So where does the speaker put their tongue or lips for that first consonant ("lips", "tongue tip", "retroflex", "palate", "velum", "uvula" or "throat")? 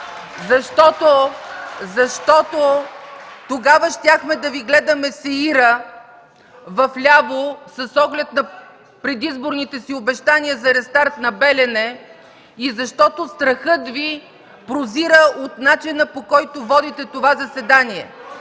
tongue tip